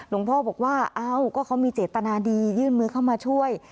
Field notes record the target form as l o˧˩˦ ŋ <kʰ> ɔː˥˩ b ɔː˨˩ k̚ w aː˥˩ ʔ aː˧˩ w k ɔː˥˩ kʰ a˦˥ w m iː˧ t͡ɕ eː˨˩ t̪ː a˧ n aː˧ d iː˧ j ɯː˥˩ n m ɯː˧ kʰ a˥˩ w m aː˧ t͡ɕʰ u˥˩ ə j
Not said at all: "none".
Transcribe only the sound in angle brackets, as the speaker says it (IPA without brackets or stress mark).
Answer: pʰ